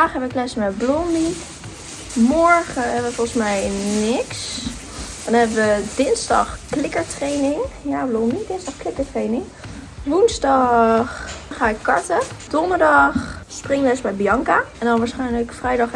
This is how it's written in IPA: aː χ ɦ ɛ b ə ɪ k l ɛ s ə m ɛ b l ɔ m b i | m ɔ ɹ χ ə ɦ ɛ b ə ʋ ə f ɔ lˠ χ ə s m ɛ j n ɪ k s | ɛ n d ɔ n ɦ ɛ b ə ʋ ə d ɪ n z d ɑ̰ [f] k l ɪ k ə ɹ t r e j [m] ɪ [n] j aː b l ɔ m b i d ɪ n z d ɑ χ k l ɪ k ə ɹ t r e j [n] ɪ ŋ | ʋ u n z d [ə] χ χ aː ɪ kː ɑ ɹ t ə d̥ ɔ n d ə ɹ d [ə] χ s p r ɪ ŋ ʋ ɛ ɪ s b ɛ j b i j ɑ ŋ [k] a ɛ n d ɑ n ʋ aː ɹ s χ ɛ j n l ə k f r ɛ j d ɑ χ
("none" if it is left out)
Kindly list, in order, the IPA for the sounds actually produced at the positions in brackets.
χ, n, ŋ, n, ɑ, ɑ, k

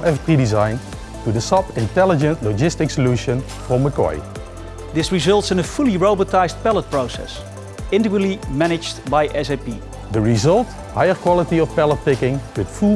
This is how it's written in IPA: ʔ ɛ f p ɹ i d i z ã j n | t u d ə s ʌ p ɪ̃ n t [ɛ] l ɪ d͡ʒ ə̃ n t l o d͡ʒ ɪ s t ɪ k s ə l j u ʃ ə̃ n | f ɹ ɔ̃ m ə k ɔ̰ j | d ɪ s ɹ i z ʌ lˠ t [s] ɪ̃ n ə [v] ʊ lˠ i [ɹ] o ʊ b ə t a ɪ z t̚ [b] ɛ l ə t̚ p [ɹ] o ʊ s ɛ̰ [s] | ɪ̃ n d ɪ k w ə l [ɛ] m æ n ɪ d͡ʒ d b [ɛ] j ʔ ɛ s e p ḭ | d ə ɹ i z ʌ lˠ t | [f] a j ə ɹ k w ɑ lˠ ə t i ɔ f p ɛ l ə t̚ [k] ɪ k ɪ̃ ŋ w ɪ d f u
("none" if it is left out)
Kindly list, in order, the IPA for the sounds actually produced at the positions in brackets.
ɛ, s, f, ɹ, p, ɹ, s, i, a, h, p

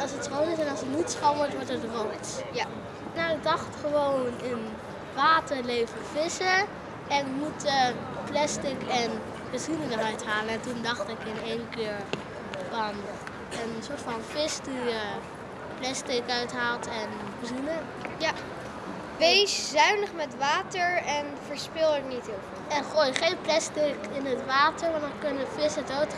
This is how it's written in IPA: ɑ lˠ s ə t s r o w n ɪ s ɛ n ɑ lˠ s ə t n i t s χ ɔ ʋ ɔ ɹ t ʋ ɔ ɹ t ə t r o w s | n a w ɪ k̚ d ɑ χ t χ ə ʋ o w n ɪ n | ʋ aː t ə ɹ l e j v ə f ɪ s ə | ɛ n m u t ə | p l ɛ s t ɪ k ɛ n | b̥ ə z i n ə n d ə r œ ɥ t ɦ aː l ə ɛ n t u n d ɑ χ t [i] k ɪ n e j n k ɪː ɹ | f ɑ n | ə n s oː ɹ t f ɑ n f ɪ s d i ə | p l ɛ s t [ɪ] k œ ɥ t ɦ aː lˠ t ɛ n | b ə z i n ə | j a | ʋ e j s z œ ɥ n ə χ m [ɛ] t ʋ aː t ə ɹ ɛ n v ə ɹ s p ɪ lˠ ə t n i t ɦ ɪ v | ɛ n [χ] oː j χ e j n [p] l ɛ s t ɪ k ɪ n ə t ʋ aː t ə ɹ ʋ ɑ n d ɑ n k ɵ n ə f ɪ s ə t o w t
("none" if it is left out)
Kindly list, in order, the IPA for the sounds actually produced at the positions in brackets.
ɪ, ɪ, ɛ, χ, p

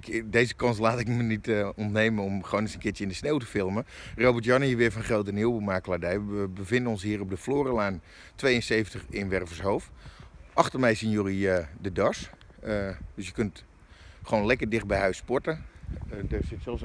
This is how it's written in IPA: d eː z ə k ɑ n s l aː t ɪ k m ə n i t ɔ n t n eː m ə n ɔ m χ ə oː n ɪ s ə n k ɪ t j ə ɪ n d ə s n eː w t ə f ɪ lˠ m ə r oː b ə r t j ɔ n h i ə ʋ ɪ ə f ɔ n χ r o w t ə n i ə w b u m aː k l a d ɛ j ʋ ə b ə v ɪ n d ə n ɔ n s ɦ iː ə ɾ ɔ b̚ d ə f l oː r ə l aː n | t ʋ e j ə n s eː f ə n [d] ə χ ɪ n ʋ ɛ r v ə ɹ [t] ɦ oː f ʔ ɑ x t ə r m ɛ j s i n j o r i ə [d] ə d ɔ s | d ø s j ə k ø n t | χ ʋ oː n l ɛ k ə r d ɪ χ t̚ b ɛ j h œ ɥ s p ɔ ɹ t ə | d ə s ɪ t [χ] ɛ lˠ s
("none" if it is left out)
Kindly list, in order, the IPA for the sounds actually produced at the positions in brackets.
t, s, d, s

